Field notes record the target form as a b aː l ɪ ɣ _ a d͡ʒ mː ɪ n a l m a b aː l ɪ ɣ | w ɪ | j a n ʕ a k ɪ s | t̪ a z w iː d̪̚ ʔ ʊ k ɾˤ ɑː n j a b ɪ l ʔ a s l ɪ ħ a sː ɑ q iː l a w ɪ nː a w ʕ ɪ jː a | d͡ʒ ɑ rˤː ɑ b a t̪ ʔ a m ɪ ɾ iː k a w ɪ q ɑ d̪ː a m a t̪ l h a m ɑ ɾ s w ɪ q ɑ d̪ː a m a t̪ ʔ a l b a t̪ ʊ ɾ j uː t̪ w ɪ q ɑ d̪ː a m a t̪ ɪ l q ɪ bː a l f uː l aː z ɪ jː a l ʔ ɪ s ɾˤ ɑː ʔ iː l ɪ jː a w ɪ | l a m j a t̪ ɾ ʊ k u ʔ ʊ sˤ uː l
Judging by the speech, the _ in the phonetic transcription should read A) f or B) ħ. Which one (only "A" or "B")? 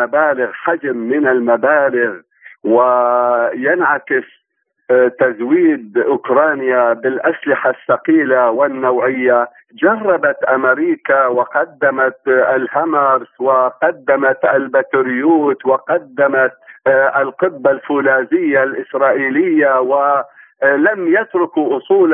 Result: B